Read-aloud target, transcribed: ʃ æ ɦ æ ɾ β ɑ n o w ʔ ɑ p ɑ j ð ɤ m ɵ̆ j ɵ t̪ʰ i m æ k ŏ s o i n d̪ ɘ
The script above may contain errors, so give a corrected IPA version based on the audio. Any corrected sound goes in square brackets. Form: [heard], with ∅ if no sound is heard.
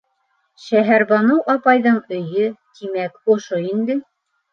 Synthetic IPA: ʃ æ ɦ æ ɾ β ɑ n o w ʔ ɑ p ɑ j ð ɤ [ɴ] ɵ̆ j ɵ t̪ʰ i m æ k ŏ [ʃ] o i n d̪ ɘ

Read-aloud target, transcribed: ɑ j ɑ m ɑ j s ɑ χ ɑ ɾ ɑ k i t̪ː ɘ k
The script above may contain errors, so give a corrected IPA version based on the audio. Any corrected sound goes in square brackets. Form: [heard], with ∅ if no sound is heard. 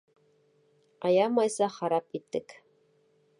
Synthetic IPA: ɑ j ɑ m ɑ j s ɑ χ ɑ ɾ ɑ [p] i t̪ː ɘ k

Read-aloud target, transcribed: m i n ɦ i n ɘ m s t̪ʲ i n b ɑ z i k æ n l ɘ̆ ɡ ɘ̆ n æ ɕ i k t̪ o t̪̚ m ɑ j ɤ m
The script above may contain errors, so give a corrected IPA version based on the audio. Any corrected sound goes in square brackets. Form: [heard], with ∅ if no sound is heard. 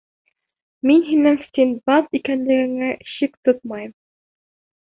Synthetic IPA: m i n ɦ i n ɘ [ŋ] s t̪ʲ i n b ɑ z i k æ n l ɘ̆ ɡ ɘ̆ [ŋ] æ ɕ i k t̪ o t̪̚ m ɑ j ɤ m

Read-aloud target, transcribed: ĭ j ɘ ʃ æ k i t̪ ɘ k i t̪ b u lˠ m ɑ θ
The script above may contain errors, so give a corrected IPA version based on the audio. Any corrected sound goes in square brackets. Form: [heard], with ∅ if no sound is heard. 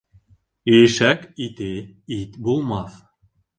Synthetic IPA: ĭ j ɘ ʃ æ k i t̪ ɘ [∅] i t̪ b u lˠ m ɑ θ

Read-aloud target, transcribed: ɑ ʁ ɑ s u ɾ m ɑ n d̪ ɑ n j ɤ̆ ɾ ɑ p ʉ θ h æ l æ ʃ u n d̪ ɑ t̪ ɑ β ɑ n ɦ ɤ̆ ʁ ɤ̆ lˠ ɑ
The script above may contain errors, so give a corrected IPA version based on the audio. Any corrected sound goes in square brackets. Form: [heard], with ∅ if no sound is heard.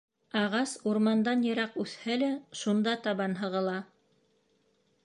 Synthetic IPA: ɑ ʁ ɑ s u ɾ m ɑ n d̪ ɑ n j ɤ̆ ɾ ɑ [q] ʉ θ h æ l æ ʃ u n d̪ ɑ t̪ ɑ β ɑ n ɦ ɤ̆ ʁ ɤ̆ lˠ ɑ

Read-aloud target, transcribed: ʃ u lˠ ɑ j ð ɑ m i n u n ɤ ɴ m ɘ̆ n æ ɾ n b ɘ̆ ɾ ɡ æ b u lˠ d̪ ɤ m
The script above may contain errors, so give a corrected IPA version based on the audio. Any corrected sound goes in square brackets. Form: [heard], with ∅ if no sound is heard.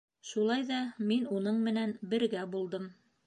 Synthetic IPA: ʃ u lˠ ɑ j ð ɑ m i n u n ɤ ɴ m ɘ̆ n æ [∅] n b ɘ̆ ɾ ɡ æ b u lˠ d̪ ɤ m

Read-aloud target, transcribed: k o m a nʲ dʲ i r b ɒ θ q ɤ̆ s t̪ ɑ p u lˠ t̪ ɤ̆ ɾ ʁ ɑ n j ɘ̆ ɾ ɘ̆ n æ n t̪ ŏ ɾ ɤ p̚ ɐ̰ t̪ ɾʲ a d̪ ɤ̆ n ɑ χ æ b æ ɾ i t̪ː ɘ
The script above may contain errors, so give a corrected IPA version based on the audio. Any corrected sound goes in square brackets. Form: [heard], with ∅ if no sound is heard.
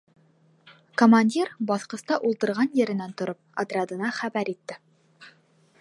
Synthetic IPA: k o m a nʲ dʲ i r b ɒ θ q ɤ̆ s t̪ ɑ [ʔ] u lˠ t̪ ɤ̆ ɾ ʁ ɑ n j ɘ̆ ɾ ɘ̆ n æ n t̪ ŏ ɾ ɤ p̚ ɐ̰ t̪ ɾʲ a d̪ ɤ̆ n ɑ χ æ b æ ɾ i t̪ː ɘ

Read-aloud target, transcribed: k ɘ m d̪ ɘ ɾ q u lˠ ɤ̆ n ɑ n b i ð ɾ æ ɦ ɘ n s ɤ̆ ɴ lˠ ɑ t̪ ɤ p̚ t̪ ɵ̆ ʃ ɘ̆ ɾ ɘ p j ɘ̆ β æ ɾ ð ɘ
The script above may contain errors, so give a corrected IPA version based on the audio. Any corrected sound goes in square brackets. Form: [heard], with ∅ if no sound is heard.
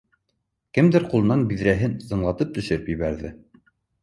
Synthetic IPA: k ɘ m d̪ ɘ ɾ q u lˠ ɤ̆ n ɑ n b i ð ɾ æ ɦ ɘ n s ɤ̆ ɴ lˠ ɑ t̪ ɤ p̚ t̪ ɵ̆ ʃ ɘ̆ ɾ ɘ p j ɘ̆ β æ ɾ ð ɘ

